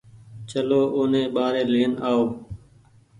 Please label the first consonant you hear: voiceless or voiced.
voiceless